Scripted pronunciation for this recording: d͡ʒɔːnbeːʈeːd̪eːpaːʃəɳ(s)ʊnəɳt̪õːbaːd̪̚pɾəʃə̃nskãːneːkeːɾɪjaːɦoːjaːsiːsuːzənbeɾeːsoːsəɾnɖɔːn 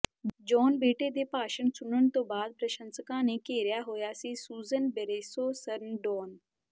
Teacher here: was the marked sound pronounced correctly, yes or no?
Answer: yes